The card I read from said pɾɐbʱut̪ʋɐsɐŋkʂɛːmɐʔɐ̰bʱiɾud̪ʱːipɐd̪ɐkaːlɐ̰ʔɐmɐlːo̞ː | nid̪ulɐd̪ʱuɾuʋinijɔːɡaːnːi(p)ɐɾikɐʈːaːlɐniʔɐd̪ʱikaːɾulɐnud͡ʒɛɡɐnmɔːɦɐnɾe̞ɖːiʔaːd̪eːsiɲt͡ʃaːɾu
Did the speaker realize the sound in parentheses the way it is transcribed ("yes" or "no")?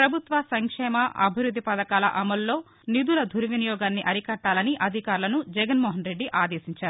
no